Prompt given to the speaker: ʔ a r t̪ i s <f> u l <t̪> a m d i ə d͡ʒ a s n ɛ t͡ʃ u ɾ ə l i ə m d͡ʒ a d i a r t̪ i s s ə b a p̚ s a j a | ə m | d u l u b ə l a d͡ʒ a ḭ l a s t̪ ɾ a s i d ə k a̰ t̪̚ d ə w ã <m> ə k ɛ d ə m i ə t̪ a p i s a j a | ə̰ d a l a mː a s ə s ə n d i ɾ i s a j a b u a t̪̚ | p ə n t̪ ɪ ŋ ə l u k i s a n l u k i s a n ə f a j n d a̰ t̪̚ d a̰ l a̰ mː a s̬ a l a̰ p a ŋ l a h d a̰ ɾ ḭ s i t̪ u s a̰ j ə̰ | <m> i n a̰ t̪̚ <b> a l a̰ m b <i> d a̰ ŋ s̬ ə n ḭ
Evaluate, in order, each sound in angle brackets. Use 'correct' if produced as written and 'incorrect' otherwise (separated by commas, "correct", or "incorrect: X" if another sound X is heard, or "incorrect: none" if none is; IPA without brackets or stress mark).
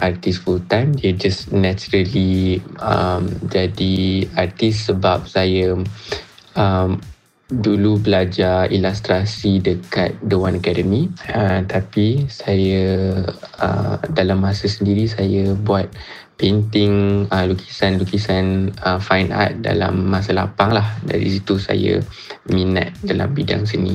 correct, correct, incorrect: n, correct, incorrect: d, correct